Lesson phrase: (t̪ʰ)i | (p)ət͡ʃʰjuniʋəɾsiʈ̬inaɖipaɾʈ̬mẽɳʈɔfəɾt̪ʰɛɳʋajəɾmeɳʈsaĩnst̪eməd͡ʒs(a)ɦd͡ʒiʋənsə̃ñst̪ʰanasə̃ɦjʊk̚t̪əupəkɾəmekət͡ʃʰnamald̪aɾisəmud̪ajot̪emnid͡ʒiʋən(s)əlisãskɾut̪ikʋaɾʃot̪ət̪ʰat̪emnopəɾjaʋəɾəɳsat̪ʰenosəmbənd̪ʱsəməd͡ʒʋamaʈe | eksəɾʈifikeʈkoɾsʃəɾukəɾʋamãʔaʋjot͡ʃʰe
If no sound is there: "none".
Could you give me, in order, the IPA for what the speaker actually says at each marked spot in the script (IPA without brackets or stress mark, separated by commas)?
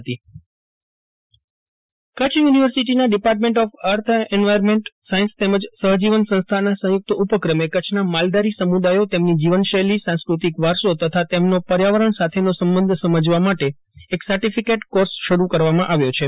t̪, k, ə, ʃ